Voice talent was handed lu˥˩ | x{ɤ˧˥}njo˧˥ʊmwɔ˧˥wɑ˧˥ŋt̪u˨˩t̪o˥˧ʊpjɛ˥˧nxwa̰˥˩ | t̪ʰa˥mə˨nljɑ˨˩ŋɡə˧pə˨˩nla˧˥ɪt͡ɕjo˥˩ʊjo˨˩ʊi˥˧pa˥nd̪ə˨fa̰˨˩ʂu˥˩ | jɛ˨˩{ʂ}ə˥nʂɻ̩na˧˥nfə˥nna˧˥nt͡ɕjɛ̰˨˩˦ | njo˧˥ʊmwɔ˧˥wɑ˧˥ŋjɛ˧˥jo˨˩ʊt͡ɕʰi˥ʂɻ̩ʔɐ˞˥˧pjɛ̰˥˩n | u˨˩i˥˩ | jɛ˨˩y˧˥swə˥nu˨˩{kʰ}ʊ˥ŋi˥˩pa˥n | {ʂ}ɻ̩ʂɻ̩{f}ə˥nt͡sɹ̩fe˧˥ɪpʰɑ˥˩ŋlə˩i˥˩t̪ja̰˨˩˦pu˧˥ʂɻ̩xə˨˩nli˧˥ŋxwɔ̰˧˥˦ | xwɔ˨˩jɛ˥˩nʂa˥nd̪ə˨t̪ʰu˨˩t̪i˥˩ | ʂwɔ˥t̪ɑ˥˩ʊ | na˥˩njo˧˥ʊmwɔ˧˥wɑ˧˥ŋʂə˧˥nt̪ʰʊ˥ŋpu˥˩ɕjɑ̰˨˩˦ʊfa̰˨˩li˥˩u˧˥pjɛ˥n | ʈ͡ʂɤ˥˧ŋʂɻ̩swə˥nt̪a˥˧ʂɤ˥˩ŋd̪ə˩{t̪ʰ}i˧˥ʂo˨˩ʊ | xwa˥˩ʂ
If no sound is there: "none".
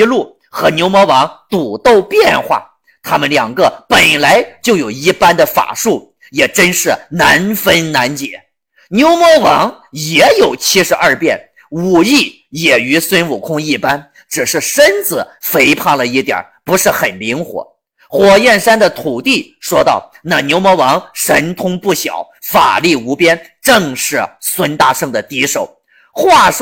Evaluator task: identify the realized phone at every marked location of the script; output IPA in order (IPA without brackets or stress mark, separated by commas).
ɤ˧˥, ʈ͡ʂ, kʰ, ʈ͡ʂ, ʂ, t̪